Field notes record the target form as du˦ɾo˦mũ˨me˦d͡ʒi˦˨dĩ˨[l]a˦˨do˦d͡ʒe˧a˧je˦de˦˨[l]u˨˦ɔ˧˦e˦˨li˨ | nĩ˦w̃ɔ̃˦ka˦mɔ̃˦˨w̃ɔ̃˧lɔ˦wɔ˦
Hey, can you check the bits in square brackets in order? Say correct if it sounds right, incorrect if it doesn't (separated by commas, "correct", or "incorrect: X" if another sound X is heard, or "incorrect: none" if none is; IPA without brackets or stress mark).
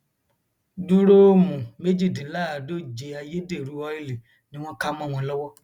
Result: correct, incorrect: ɾ